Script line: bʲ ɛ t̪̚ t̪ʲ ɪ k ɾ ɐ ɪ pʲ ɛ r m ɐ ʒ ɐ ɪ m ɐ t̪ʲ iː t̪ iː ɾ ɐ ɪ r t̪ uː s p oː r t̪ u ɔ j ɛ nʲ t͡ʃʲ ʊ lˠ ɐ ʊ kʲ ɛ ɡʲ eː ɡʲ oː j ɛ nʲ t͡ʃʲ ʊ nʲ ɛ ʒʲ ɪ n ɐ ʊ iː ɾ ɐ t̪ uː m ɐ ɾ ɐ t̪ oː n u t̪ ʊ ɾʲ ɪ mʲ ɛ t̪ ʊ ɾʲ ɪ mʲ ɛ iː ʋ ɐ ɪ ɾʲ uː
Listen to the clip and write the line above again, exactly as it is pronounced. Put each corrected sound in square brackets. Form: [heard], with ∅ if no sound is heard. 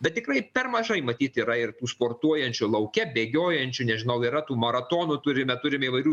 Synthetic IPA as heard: bʲ ɛ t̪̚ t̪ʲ ɪ k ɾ ɐ ɪ pʲ ɛ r m ɐ ʒ ɐ ɪ m ɐ t̪ʲ iː t̪ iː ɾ ɐ ɪ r t̪ uː s p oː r t̪ u ɔ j ɛ nʲ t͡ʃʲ ʊ lˠ ɐ ʊ kʲ ɛ [bʲ] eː ɡʲ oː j ɛ nʲ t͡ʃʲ ʊ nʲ ɛ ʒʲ ɪ n ɐ ʊ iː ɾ ɐ t̪ uː m ɐ ɾ ɐ t̪ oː n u t̪ ʊ ɾʲ ɪ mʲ ɛ t̪ ʊ ɾʲ ɪ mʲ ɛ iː ʋ ɐ ɪ ɾʲ uː